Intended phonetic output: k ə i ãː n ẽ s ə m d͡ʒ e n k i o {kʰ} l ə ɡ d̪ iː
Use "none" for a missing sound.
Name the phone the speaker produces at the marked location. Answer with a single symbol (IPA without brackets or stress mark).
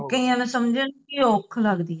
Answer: kʰ